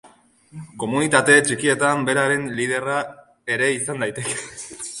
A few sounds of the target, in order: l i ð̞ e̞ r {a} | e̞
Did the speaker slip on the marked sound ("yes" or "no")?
no